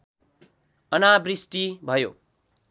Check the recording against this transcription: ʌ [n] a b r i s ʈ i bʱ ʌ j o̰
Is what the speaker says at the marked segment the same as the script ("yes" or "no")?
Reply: yes